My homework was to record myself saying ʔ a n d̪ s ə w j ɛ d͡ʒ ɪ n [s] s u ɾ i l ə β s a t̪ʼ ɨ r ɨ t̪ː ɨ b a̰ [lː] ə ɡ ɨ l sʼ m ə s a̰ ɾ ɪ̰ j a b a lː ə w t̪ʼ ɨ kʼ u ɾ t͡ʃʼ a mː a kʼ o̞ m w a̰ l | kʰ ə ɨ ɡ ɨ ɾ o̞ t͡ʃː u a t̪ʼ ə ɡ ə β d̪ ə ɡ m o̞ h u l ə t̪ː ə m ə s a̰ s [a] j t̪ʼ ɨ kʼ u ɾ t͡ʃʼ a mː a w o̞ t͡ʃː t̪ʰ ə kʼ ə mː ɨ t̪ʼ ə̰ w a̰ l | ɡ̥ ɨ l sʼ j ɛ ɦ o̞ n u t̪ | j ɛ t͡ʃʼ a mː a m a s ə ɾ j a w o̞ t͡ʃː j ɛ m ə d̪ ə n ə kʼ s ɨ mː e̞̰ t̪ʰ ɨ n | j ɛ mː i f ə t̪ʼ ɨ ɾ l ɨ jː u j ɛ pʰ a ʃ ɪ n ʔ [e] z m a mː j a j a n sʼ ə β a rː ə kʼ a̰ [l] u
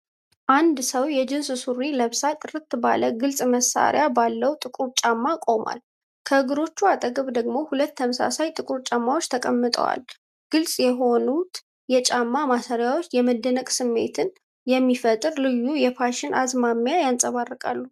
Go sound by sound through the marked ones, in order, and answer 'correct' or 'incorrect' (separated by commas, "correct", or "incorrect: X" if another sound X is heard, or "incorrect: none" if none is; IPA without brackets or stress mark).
correct, incorrect: l, correct, incorrect: a, incorrect: lː